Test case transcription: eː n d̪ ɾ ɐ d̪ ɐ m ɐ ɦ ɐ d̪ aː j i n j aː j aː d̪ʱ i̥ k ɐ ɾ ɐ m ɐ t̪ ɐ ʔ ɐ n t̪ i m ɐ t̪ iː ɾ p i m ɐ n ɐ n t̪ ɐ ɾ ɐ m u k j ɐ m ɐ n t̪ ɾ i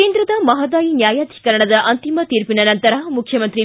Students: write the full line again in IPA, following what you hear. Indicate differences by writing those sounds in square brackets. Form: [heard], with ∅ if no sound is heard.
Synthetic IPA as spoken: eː n d̪ ɾ ɐ d̪ ɐ m ɐ ɦ ɐ d̪ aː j i n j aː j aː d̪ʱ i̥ k ɐ ɾ ɐ [ɳ] ɐ [d̪] ɐ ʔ ɐ n t̪ i m ɐ t̪ iː ɾ p i [n] ɐ n ɐ n t̪ ɐ ɾ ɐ m u [kʰ] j ɐ m ɐ n t̪ ɾ i

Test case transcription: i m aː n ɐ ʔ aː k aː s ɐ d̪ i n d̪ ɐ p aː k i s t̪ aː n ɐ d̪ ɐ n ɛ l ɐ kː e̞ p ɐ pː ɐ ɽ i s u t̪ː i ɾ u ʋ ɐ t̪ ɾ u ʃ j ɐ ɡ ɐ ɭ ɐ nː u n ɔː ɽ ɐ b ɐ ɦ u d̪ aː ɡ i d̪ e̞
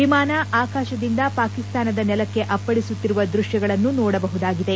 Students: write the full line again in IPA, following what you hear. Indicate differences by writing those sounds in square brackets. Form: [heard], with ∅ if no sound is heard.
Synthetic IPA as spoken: i m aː n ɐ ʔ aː k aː [ʃ] ɐ d̪ i n d̪ ɐ p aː k i s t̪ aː n ɐ d̪ ɐ n ɛ l ɐ kː e̞ [ʔ] ɐ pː ɐ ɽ i s u t̪ː i ɾ u ʋ ɐ [d̪] ɾ u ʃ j ɐ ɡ ɐ ɭ ɐ nː u n ɔː ɽ ɐ b ɐ ɦ u d̪ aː ɡ i d̪ e̞

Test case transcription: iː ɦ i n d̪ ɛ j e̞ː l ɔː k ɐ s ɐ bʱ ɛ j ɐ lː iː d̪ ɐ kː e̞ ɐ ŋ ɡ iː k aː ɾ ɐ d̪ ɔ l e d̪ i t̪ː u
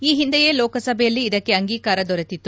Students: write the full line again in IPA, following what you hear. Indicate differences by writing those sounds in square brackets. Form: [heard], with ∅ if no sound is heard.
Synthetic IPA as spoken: iː ɦ i n d̪ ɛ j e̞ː l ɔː k ɐ s ɐ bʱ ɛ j ɐ lː iː d̪ ɐ kː e̞ ɐ ŋ ɡ iː k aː ɾ ɐ d̪ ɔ [ɾ] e [t̪] i t̪ː u

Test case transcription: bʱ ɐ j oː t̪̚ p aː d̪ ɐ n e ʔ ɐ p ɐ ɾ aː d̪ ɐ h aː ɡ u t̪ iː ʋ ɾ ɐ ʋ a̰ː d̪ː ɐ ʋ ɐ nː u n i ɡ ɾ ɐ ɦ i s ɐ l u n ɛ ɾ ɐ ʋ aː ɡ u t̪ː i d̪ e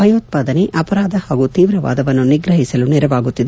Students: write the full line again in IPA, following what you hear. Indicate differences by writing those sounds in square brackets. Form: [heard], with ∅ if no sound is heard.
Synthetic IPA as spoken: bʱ ɐ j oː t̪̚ p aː d̪ ɐ n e ʔ ɐ p ɐ ɾ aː d̪ ɐ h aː ɡ u t̪ iː ʋ ɾ ɐ ʋ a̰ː [d̪] ɐ ʋ ɐ nː u n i ɡ ɾ ɐ ɦ i s ɐ l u n ɛ ɾ ɐ ʋ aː ɡ u t̪ː i d̪ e

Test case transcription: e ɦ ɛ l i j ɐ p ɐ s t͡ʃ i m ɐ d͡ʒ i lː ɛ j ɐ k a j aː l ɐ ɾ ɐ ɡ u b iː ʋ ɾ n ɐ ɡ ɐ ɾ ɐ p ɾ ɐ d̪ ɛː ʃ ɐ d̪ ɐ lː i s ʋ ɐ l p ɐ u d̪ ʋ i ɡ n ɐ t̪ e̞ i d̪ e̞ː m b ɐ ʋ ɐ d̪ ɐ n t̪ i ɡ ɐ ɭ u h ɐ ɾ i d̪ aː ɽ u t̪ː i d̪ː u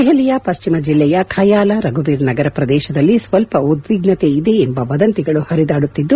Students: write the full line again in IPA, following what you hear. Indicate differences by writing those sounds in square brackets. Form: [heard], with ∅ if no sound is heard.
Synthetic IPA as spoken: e ɦ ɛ l i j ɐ p ɐ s t͡ʃ i m ɐ d͡ʒ i lː ɛ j ɐ [kʰ] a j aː l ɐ ɾ ɐ ɡ u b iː [∅] ɾ n ɐ ɡ ɐ ɾ ɐ p ɾ ɐ d̪ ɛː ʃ ɐ d̪ ɐ lː i s ʋ ɐ l p ɐ u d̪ ʋ i ɡ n ɐ t̪ e̞ i d̪ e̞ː m b ɐ ʋ ɐ d̪ ɐ n t̪ i ɡ ɐ ɭ u h ɐ ɾ i d̪ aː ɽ u t̪ː i d̪ː u

